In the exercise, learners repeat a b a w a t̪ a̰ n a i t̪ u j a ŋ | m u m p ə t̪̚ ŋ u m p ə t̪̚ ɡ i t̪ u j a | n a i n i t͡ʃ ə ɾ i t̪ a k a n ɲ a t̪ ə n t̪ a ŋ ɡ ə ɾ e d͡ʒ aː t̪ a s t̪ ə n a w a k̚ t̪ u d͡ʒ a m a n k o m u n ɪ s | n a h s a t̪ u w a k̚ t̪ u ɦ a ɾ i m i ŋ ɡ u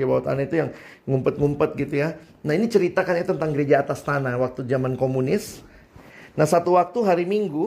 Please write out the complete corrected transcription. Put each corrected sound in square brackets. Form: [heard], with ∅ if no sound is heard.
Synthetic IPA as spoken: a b a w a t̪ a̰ n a i t̪ u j a ŋ | [ŋ] u m p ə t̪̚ ŋ u m p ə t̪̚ ɡ i t̪ u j a | n a i n i t͡ʃ ə ɾ i t̪ a k a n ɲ a t̪ ə n t̪ a ŋ ɡ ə ɾ e d͡ʒ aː t̪ a s t̪ [a] n a w a k̚ t̪ u d͡ʒ a m a n k o m u n ɪ s | n a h s a t̪ u w a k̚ t̪ u ɦ a ɾ i m i ŋ ɡ u